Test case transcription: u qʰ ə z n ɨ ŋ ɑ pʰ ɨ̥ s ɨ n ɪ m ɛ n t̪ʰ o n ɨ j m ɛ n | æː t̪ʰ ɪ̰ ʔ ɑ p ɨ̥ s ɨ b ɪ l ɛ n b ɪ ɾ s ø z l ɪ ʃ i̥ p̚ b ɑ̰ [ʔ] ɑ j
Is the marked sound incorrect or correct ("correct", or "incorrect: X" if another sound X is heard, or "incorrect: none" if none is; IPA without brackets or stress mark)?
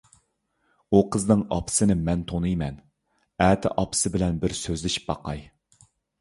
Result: incorrect: q